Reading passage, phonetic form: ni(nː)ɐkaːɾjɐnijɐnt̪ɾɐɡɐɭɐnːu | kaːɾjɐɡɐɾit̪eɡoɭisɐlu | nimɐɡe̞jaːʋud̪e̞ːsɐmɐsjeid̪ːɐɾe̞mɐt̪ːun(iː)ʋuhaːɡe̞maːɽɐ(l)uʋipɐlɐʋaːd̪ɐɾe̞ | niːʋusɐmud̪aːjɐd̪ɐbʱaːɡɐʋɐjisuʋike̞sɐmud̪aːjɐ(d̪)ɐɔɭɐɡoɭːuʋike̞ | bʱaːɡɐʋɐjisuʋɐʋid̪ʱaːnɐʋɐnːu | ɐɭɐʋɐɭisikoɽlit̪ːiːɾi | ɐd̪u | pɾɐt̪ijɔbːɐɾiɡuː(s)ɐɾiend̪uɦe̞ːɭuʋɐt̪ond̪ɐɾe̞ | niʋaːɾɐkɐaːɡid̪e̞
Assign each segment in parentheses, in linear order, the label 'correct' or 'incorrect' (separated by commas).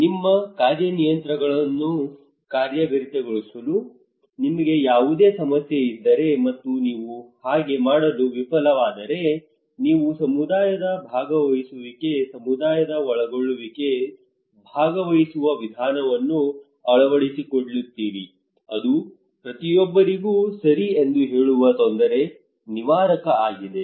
incorrect, correct, correct, correct, correct